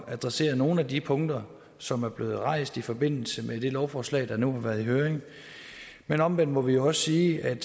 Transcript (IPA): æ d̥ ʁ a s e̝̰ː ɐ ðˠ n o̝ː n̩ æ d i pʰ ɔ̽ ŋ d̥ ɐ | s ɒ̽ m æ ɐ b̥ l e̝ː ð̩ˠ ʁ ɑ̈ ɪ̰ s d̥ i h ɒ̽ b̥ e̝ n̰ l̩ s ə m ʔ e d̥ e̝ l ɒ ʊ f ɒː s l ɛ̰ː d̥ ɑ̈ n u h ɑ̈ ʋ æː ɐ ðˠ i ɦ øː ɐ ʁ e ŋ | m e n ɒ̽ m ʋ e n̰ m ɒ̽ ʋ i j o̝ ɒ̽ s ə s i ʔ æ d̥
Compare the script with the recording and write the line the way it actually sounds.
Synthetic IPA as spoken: æ d̥ ʁ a s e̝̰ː ɐ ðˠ n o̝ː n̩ æ d i pʰ ɔ̽ ŋ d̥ ɐ | s ɒ̽ m æ ɐ b̥ l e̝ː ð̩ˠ ʁ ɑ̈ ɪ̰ s d̥ i f ɒ̽ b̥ e̝ n̰ l̩ s ə m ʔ e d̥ e̝ l ɒ ʊ f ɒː s l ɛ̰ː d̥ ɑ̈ n u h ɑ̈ ʋ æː ɐ ðˠ i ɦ øː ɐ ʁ e ŋ | m e n ɒ̽ m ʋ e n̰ m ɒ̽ ʋ i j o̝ ɒ̽ s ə s iː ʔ æ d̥